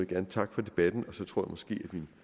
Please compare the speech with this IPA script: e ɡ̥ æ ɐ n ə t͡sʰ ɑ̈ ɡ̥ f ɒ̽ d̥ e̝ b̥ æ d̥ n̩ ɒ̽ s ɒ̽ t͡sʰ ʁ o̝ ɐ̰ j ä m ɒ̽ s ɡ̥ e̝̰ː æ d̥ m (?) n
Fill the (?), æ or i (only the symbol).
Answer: i